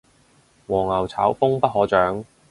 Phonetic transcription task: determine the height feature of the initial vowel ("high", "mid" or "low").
mid